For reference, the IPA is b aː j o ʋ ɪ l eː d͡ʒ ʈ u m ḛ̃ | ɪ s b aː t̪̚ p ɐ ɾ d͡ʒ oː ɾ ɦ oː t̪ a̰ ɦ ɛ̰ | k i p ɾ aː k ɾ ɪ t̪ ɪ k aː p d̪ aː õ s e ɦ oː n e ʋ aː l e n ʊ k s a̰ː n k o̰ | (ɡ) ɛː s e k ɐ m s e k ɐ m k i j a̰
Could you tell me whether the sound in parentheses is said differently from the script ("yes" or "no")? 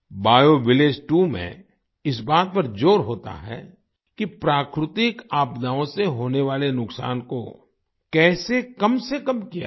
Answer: yes